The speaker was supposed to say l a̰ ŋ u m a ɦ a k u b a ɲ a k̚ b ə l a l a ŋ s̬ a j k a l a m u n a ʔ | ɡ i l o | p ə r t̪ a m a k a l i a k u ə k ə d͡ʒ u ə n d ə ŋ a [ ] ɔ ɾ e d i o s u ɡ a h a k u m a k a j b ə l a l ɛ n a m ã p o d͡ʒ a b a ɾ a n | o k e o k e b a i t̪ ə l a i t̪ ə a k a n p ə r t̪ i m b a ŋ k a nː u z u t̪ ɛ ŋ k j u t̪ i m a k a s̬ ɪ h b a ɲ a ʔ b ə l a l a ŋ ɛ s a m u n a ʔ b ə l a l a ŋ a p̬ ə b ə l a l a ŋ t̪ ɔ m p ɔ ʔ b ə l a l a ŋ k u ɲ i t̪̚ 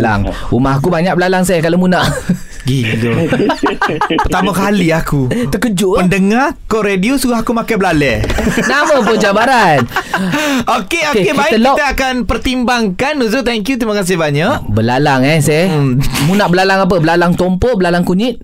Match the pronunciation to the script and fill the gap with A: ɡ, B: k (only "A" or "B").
B